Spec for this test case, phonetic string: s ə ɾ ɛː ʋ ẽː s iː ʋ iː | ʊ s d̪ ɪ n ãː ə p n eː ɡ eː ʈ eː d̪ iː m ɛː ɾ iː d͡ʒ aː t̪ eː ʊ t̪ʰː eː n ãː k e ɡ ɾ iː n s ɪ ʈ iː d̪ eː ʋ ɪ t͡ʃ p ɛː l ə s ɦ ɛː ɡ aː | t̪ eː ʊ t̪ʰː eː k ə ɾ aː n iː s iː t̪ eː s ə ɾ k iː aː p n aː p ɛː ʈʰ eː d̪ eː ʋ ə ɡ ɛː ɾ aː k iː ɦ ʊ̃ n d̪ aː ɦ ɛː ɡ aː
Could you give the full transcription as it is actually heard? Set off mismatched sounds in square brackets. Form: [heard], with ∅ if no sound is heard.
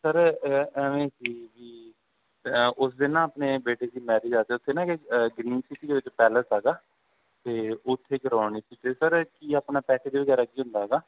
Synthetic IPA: s ə ɾ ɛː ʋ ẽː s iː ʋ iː | ʊ s d̪ ɪ n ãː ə p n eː [b] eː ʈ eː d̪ iː m ɛː ɾ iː d͡ʒ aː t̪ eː ʊ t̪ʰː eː n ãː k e ɡ ɾ iː n s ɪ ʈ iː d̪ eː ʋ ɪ t͡ʃ p ɛː l ə s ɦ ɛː ɡ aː | t̪ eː ʊ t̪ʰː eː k ə ɾ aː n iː s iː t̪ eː s ə ɾ k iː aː p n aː p ɛː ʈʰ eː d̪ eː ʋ ə ɡ ɛː ɾ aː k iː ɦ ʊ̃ n d̪ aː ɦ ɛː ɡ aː

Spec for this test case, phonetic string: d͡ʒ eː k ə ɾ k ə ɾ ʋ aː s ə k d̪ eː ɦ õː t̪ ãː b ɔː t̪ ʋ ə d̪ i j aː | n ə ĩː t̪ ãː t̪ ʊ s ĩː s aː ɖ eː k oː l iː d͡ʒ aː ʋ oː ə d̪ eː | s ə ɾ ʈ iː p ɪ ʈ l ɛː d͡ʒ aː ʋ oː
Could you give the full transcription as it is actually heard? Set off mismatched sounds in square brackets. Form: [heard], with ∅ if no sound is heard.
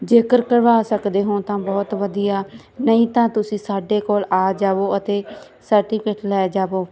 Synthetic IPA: d͡ʒ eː k ə ɾ k ə ɾ ʋ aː s ə k d̪ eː ɦ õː t̪ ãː b ɔː t̪ ʋ ə d̪ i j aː | n ə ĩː t̪ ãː t̪ ʊ s ĩː s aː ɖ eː k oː l [aː] d͡ʒ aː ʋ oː ə [t̪] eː | s ə ɾ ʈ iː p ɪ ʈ l ɛː d͡ʒ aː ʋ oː

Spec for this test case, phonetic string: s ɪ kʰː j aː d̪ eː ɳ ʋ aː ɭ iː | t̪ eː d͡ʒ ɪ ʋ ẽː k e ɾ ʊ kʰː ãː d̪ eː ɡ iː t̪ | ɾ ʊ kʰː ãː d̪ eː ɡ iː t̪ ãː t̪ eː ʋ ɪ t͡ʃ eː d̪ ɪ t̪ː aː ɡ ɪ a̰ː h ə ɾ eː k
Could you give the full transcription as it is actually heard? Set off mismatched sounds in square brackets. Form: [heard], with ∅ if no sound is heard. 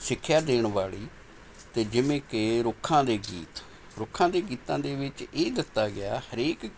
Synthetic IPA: s ɪ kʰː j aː d̪ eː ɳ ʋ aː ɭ iː | t̪ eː d͡ʒ ɪ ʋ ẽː k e ɾ ʊ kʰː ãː d̪ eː ɡ iː t̪ | ɾ ʊ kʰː ãː d̪ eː ɡ iː t̪ ãː [d̪] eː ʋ ɪ t͡ʃ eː d̪ ɪ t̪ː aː ɡ ɪ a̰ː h ə ɾ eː k

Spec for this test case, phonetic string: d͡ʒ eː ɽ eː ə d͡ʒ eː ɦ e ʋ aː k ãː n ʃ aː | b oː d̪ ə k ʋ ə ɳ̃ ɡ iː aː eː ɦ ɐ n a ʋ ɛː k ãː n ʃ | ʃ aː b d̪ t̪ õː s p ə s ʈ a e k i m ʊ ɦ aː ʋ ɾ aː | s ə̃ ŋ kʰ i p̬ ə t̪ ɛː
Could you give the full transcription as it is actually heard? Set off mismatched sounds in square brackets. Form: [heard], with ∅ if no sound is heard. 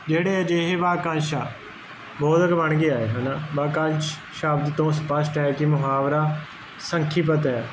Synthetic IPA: d͡ʒ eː ɽ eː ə d͡ʒ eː ɦ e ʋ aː k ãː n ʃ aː | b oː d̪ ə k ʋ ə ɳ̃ ɡ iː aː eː ɦ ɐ n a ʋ [aː] k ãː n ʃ | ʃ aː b d̪ t̪ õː s p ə s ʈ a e k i m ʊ ɦ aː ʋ ɾ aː | s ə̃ ŋ kʰ i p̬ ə t̪ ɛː

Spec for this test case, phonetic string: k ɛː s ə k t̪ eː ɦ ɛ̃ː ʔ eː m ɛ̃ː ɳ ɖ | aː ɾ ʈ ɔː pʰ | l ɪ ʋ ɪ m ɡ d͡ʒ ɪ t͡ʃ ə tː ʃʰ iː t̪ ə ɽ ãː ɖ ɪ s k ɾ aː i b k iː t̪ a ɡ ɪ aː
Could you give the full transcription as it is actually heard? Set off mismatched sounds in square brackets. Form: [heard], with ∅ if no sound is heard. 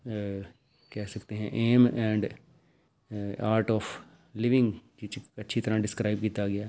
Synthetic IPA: k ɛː s ə k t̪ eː ɦ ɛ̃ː ʔ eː m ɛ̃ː ɳ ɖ | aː ɾ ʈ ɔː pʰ | l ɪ ʋ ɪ [ŋ] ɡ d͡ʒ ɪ t͡ʃ ə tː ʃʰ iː t̪ ə [ɾ] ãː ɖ ɪ s k ɾ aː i b k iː t̪ a ɡ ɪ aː

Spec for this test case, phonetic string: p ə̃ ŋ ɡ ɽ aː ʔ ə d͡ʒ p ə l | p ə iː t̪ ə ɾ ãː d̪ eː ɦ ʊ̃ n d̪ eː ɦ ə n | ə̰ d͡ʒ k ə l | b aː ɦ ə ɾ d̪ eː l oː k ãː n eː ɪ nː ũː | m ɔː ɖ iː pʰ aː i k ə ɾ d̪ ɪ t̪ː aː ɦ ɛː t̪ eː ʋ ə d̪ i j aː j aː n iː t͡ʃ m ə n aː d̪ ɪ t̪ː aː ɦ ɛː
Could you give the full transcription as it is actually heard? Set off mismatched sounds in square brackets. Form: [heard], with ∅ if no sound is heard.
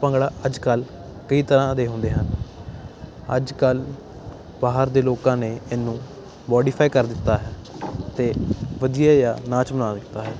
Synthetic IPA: p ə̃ ŋ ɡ ɽ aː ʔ ə d͡ʒ [k] ə l | [k] ə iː t̪ ə ɾ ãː d̪ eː ɦ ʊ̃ n d̪ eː ɦ ə n | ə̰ d͡ʒ k ə l | b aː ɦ ə ɾ d̪ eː l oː k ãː n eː ɪ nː ũː | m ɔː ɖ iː pʰ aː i k ə ɾ d̪ ɪ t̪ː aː ɦ ɛː t̪ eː ʋ ə d̪ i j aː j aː n [aː] t͡ʃ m ə n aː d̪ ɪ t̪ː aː ɦ ɛː

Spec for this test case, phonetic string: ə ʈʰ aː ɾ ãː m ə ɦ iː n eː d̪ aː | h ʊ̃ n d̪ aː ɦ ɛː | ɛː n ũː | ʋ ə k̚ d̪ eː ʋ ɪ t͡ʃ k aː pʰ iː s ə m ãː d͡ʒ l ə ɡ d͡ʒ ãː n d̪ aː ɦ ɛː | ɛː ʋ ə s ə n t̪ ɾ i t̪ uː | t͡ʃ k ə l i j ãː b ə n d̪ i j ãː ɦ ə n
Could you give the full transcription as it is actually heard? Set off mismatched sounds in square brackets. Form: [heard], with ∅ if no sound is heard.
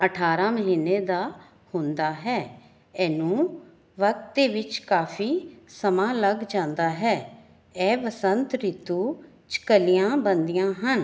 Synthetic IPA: ə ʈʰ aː ɾ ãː m ə ɦ iː n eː d̪ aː | h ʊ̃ n d̪ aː ɦ ɛː | ɛː n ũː | ʋ ə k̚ [t̪] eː ʋ ɪ t͡ʃ k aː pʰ iː s ə m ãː [∅] l ə ɡ d͡ʒ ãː n d̪ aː ɦ ɛː | ɛː ʋ ə s ə n t̪ ɾ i t̪ uː | t͡ʃ k ə l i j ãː b ə n d̪ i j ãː ɦ ə n

